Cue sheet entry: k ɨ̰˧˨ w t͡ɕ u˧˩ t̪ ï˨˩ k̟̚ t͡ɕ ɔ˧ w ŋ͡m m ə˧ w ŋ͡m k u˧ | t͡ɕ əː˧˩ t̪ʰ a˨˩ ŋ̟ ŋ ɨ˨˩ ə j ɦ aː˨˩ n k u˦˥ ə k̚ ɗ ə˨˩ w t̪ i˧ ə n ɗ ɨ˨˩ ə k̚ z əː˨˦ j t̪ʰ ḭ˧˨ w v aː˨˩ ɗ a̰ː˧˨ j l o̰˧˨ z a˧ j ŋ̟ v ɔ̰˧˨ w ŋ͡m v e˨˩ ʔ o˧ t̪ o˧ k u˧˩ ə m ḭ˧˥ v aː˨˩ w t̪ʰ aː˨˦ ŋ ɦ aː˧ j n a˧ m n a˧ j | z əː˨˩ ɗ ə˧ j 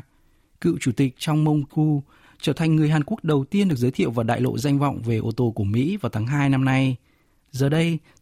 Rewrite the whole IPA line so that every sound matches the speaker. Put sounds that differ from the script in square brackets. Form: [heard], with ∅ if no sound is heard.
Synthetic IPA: k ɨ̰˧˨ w t͡ɕ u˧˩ t̪ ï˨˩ k̟̚ t͡ɕ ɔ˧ w ŋ͡m m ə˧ w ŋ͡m k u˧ | t͡ɕ əː˧˩ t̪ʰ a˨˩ ŋ̟ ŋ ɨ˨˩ ə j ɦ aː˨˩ n k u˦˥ ə k̚ ɗ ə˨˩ w t̪ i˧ ə n ɗ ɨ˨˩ ə k̚ z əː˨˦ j t̪ʰ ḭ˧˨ w v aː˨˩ ɗ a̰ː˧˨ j l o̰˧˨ z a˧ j ŋ̟ v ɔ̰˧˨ w ŋ͡m v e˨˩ ʔ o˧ t̪ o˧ k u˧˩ ə m ḭ˧˥ v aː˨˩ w t̪ʰ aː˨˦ ŋ ɦ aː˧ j n a˧ m n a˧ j | z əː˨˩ ɗ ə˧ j